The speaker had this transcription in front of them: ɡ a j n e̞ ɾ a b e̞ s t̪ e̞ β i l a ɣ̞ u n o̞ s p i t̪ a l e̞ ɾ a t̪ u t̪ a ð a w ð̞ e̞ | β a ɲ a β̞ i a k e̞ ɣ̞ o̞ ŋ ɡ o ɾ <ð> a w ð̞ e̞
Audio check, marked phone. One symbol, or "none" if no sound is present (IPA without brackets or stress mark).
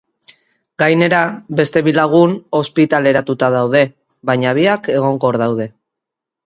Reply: ð